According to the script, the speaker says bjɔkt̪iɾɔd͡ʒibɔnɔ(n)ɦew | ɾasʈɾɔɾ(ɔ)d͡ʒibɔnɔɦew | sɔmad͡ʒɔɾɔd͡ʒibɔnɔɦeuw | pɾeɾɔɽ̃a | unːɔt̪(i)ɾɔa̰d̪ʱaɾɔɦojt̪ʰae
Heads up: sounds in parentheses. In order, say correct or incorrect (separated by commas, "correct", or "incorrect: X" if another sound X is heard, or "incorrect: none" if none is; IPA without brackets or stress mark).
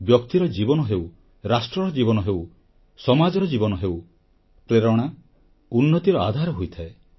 incorrect: none, correct, correct